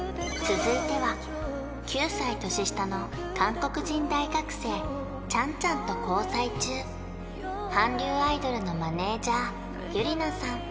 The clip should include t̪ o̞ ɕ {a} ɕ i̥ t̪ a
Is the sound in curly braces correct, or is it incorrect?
incorrect